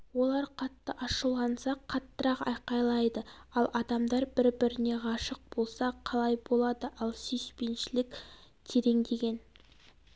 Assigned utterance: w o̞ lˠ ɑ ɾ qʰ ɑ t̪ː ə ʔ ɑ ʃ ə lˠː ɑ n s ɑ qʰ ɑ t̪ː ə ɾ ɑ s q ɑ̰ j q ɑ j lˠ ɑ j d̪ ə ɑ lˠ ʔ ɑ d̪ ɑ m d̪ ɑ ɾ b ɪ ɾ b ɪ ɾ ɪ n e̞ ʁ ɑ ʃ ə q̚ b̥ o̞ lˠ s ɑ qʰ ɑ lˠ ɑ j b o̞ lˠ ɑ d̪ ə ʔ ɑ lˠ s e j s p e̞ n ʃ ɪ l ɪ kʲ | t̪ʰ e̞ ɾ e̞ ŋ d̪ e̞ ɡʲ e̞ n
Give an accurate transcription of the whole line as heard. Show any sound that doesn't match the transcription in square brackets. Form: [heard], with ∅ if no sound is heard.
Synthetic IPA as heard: w o̞ lˠ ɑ ɾ qʰ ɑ t̪ː ə ʔ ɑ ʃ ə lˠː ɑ n s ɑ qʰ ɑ t̪ː ə ɾ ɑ [∅] q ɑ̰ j q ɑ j lˠ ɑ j d̪ ə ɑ lˠ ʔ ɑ d̪ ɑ m d̪ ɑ ɾ b ɪ ɾ b ɪ ɾ ɪ n e̞ ʁ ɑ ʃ ə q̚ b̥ o̞ lˠ s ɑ qʰ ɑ lˠ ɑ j b o̞ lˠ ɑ d̪ ə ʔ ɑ lˠ s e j s p e̞ n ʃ ɪ l ɪ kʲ | t̪ʰ e̞ ɾ e̞ ŋ d̪ e̞ ɡʲ e̞ n